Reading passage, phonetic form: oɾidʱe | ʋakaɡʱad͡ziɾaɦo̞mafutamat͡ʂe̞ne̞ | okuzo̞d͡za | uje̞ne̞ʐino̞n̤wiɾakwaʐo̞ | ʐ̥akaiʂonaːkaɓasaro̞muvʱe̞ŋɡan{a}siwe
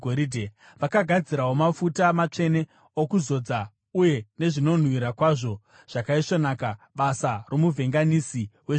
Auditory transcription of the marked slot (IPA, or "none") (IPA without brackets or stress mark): i